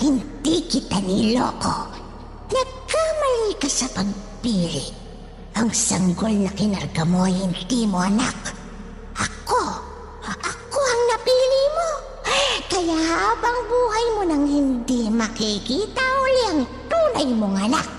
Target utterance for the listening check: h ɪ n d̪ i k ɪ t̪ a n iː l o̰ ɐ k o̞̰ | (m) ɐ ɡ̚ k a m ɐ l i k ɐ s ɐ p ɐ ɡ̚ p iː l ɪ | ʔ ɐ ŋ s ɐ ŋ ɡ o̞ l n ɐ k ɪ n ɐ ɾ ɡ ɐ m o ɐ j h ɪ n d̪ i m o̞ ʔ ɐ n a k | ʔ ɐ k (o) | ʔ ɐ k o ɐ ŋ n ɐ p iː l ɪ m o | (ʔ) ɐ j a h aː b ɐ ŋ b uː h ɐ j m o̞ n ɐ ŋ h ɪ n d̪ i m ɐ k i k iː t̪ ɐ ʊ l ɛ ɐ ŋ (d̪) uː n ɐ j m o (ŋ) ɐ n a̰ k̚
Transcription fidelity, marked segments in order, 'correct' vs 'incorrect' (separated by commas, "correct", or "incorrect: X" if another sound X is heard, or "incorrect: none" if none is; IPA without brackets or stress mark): incorrect: n, correct, incorrect: k, incorrect: t̪, correct